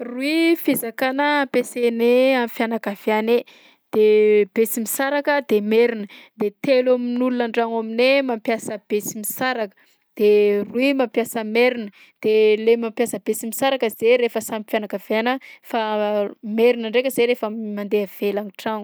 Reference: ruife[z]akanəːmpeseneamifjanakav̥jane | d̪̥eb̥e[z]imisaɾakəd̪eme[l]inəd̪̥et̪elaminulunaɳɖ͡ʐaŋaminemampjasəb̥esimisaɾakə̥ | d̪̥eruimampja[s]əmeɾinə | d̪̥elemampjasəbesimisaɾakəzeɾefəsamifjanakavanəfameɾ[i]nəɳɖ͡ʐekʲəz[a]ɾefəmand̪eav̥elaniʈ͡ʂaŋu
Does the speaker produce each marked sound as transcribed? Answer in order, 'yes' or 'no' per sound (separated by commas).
yes, no, no, yes, yes, no